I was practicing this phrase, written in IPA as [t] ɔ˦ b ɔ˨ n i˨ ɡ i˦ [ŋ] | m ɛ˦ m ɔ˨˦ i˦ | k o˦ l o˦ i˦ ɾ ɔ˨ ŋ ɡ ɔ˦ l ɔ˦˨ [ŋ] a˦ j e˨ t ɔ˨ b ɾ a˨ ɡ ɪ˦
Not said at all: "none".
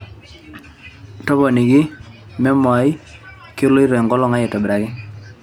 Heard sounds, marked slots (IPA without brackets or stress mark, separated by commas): t, none, ŋ